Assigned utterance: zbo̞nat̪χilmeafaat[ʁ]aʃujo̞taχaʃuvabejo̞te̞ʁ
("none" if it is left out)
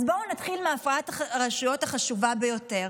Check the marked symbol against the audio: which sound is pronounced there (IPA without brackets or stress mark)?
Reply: ʁ